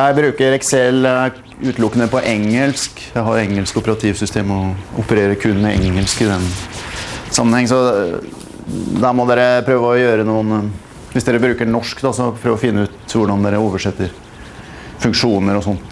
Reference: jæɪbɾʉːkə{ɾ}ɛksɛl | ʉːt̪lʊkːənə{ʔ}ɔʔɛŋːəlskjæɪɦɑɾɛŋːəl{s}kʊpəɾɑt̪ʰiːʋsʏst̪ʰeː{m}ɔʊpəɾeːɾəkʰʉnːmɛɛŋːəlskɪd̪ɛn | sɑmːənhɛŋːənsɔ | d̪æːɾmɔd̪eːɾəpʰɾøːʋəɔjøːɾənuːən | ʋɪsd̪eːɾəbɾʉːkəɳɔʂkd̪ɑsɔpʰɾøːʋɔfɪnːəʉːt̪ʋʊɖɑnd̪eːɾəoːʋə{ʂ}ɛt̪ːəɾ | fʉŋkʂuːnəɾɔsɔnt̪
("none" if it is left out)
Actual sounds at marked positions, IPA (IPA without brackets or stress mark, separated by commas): ɾ, p, s, m, ʂ